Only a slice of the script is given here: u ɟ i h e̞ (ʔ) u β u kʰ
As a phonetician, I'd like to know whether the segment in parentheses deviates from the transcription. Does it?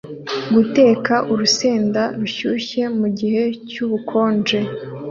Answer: yes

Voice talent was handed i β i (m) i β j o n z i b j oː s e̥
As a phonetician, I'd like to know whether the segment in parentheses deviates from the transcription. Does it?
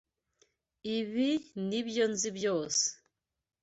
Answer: yes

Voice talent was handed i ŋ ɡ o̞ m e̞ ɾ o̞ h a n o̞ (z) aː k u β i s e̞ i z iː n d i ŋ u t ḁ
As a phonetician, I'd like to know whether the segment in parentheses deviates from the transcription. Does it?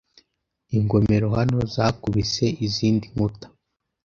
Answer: no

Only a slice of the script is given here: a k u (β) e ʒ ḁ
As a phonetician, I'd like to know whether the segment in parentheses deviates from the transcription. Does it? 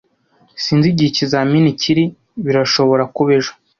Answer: no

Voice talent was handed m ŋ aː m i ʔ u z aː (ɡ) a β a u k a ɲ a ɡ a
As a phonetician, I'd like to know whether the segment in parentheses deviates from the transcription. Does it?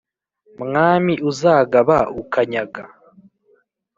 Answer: no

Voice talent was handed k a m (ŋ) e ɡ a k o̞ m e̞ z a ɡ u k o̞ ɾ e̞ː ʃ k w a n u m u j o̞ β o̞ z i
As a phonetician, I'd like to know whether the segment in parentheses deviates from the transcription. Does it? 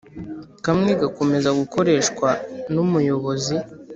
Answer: no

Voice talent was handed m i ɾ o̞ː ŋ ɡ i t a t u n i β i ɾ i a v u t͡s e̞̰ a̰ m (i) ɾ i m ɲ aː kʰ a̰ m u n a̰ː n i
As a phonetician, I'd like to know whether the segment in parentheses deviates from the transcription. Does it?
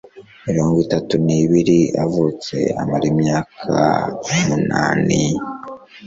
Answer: yes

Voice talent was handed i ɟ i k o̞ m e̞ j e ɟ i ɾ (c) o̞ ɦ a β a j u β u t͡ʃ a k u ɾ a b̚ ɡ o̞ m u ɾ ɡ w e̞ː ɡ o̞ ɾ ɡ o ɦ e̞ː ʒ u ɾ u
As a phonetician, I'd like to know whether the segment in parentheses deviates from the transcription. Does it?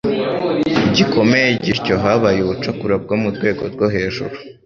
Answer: no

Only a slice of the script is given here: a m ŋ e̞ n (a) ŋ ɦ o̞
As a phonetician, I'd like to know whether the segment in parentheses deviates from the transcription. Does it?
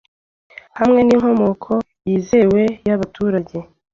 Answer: yes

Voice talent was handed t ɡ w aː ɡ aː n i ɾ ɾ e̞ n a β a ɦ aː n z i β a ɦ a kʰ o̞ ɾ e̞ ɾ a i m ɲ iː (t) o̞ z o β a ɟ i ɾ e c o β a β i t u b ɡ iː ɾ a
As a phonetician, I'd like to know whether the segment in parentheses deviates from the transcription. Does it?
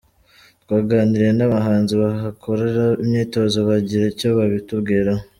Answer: no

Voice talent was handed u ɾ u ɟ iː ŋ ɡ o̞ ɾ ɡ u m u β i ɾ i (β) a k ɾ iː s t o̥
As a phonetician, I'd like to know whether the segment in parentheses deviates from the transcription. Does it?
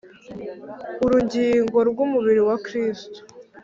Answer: yes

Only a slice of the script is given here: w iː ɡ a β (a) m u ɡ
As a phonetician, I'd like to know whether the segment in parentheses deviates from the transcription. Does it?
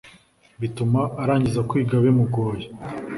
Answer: yes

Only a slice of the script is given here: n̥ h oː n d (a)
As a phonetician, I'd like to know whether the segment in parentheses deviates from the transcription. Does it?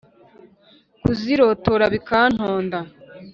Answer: no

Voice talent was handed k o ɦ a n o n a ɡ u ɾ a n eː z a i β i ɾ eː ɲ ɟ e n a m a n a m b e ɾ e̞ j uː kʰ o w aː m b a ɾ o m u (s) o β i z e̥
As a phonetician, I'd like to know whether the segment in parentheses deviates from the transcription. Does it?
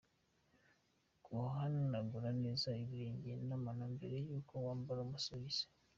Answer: no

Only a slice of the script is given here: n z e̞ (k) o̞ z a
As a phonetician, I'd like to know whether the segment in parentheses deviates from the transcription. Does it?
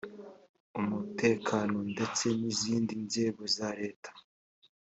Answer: yes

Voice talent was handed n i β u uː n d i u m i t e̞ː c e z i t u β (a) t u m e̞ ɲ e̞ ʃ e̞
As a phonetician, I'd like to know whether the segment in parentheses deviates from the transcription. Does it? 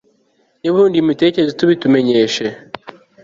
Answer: yes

